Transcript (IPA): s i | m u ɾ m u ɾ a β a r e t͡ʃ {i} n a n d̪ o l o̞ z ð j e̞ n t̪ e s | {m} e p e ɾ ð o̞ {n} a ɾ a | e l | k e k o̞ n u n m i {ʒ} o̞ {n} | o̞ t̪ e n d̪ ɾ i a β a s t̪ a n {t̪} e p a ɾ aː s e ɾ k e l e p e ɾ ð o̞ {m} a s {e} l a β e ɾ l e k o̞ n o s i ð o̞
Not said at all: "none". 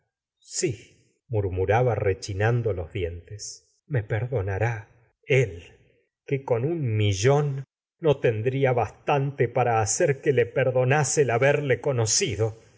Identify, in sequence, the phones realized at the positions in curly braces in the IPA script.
i, m, n, ʒ, nː, t̪, n, e

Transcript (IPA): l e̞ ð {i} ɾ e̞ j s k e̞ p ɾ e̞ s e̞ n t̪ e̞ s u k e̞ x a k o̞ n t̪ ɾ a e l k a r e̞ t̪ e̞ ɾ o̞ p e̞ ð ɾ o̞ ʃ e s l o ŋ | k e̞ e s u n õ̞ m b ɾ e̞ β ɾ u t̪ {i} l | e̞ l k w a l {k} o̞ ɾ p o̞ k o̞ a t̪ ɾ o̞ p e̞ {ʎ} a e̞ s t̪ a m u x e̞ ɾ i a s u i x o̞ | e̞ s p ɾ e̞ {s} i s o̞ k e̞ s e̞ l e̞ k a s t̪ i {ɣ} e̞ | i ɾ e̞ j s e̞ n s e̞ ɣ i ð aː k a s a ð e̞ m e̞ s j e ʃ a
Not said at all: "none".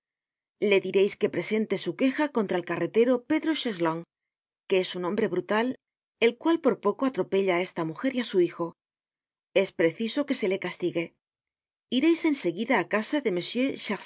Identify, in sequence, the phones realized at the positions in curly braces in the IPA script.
i, a, p, ʎ, θ, ɣ

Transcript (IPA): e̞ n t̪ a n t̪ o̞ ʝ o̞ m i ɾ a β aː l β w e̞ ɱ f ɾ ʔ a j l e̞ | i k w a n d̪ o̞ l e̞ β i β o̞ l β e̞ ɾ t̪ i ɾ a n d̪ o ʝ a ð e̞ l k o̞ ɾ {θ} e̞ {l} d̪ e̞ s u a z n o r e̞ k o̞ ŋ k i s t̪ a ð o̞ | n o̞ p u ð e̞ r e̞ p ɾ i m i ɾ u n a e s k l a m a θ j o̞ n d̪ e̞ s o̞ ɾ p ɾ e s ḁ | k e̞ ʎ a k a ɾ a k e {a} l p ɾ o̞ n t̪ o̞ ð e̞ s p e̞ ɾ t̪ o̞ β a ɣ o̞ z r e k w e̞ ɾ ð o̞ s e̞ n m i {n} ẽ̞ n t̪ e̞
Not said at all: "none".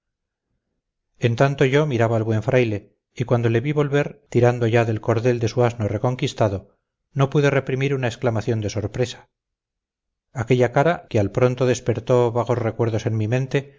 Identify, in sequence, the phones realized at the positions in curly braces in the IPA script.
ð, l, a, m

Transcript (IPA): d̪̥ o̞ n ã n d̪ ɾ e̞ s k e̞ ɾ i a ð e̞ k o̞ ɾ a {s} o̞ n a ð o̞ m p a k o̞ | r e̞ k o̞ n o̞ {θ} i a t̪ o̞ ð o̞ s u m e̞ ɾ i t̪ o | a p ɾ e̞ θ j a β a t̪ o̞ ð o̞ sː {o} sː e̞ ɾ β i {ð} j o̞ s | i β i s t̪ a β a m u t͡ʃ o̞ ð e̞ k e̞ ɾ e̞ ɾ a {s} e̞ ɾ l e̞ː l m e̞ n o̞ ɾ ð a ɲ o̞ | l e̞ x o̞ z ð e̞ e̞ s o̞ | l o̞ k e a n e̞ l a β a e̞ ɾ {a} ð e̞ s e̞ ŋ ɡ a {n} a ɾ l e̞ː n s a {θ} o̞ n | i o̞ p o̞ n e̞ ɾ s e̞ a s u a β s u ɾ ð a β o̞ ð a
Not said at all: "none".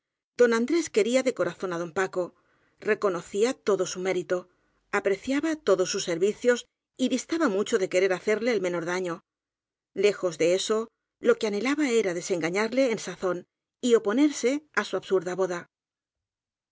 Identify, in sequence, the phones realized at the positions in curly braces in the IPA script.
θ, θ, u, θ, θ, a, ɲ, θ

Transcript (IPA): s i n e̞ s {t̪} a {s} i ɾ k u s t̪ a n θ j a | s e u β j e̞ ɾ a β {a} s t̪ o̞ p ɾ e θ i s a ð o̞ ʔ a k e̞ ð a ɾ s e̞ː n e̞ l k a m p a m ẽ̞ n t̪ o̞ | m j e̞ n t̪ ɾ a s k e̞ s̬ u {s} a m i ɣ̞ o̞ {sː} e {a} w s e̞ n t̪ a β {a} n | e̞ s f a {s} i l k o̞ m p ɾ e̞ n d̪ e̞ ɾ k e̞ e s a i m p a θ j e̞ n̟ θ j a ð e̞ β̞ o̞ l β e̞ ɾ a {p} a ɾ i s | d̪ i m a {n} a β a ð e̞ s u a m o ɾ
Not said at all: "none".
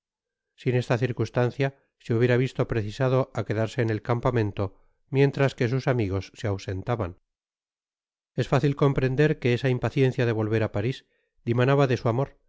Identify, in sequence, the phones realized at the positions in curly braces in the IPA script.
t̪, θ, i, s, sː, a, a, θ, p, n

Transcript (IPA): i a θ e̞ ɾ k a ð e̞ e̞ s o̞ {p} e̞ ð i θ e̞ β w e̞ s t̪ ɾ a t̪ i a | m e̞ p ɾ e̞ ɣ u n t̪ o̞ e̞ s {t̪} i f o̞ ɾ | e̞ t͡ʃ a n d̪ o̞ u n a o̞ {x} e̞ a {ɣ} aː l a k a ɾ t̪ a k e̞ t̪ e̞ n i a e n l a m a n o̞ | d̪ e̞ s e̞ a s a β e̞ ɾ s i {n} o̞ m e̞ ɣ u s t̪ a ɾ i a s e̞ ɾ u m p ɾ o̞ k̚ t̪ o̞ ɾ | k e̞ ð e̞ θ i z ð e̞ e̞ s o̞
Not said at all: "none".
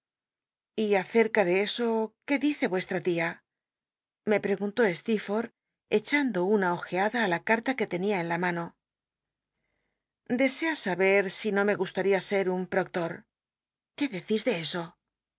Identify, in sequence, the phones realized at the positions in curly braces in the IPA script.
k, t̪, x, ð, n

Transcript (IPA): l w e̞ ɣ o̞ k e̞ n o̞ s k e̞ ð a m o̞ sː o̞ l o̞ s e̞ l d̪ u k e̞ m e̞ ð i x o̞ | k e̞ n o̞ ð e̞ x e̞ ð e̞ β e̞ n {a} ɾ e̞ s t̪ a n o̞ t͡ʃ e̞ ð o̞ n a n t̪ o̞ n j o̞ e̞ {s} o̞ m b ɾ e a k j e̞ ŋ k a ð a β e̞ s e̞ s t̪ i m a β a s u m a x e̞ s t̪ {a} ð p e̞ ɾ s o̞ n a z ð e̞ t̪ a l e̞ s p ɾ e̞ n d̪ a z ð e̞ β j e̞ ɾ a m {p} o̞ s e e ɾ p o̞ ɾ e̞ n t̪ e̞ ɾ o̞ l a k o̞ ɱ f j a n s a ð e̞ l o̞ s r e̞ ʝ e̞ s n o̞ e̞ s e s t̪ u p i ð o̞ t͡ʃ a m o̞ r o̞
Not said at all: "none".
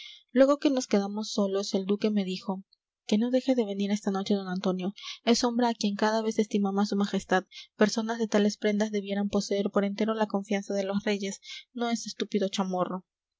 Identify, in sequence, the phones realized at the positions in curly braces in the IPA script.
i, s, a, p

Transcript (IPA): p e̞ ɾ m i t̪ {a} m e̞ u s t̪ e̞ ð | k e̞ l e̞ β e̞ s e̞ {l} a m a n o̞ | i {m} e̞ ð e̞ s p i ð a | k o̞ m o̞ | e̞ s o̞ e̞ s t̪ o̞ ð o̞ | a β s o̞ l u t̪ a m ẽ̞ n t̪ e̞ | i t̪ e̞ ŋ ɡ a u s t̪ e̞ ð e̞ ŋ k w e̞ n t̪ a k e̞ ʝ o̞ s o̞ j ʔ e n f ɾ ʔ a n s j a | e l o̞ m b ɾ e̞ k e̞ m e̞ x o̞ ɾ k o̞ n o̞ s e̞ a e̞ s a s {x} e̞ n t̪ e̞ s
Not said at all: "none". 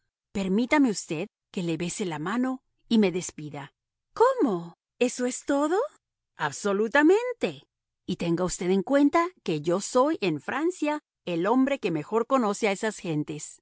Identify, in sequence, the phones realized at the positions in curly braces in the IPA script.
a, l, m, x

